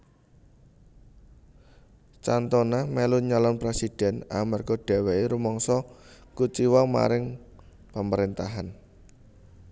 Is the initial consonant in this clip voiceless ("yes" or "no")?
yes